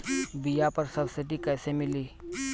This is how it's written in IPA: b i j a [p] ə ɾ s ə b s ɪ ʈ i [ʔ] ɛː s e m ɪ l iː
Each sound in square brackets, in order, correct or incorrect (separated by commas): correct, incorrect